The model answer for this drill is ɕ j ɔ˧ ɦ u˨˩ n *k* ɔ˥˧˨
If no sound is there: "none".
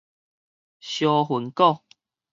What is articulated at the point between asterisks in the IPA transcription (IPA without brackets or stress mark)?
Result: k